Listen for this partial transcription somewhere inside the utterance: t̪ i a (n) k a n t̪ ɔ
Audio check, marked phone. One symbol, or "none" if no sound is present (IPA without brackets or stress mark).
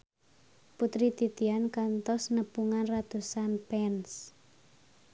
n